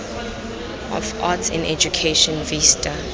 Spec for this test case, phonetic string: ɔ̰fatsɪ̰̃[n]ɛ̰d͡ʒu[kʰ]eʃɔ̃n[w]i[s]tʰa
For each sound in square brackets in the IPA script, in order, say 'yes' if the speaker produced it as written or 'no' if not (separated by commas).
yes, yes, no, yes